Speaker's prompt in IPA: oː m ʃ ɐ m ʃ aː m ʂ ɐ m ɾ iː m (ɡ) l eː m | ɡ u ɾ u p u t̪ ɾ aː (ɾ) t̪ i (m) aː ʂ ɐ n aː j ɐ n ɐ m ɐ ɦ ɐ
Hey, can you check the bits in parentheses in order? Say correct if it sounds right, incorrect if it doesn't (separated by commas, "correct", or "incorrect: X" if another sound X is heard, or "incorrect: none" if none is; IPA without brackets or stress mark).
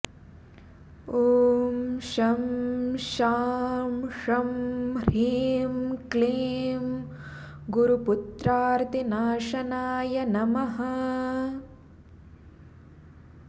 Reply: incorrect: k, correct, incorrect: n